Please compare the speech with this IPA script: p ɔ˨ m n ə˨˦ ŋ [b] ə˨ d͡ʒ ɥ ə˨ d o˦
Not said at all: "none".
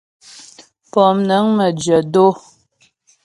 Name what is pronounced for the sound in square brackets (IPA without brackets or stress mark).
m